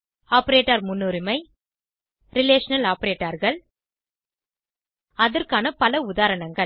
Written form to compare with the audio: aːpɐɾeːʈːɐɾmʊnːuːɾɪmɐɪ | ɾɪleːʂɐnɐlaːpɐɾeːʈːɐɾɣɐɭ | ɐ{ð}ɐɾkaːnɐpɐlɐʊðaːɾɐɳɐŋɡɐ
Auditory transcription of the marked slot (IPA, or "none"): ð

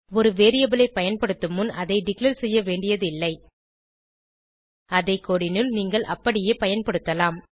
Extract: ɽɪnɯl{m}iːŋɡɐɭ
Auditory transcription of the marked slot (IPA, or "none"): n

